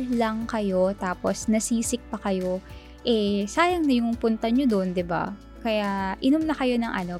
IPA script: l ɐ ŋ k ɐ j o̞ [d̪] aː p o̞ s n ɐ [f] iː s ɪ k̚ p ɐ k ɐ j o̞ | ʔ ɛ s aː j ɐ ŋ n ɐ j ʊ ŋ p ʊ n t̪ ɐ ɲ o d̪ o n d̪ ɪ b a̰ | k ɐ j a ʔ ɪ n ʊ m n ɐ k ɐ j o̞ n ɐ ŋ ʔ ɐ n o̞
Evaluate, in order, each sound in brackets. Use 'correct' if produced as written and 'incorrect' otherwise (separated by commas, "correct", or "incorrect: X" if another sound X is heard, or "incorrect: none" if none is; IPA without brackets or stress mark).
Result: incorrect: t̪, incorrect: s